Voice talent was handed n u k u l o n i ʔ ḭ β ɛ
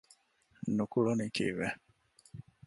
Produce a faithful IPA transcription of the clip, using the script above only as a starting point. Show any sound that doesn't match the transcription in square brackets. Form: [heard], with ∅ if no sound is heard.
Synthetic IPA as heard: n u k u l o n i [k] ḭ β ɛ